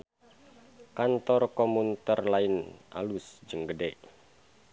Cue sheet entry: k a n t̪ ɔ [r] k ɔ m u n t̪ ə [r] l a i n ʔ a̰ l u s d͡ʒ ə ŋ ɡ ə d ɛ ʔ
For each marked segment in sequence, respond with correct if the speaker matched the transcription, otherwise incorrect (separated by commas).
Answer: correct, correct